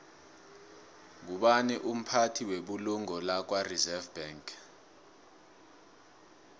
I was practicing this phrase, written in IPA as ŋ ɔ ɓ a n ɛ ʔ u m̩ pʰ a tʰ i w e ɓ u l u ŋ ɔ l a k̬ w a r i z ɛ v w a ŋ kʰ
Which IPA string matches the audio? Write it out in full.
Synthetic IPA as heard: ŋ u ɓ a n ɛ ʔ u m̩ pʰ a tʰ i w e ɓ u l u ŋ ɔ l a k̬ w a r i z ɛ v b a ŋ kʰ